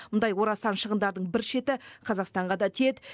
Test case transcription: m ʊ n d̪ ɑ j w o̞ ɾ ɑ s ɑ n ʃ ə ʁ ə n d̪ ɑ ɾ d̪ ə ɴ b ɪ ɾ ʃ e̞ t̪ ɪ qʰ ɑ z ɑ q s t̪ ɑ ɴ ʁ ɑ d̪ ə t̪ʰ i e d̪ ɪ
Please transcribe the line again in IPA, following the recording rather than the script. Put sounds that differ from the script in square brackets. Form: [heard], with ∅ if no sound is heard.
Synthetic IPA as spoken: m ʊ n d̪ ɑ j w o̞ ɾ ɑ s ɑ n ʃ ə ʁ ə n d̪ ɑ ɾ d̪ ə ɴ b ɪ ɾ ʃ e̞ t̪ ɪ qʰ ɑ z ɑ q s t̪ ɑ ɴ ʁ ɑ d̪ [ɑ] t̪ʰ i e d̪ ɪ